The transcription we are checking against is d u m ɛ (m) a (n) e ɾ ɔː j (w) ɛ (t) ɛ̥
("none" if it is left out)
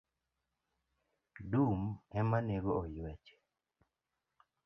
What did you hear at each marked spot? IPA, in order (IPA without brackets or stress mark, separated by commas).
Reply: m, n, w, t͡ʃ